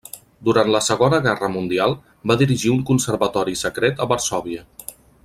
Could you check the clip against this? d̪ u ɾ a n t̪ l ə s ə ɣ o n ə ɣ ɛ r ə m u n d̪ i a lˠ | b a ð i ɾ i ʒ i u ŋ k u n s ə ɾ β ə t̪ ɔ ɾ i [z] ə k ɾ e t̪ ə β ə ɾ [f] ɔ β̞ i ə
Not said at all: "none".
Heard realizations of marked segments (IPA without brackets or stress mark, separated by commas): s, s